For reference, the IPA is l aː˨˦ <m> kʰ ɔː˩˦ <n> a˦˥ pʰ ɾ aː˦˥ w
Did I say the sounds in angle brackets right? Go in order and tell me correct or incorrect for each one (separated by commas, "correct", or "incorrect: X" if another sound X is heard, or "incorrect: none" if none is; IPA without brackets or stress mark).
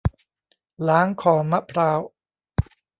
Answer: incorrect: ŋ, incorrect: m